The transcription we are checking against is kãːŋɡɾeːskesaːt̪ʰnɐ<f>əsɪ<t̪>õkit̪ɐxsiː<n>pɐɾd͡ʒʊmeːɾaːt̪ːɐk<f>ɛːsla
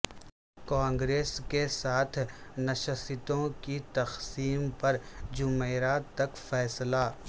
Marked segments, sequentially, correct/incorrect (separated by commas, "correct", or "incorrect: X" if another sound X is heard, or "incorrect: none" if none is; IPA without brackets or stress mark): incorrect: ʃ, correct, incorrect: m, correct